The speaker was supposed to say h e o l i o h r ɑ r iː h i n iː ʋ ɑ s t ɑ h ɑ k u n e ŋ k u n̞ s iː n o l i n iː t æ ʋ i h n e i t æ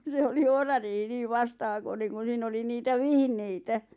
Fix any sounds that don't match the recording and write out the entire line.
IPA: s e o l i o h r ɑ r iː h i n iː ʋ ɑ s t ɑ h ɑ k o n e ŋ k u n̞ s iː n o l i n iː t æ ʋ i h n e i t æ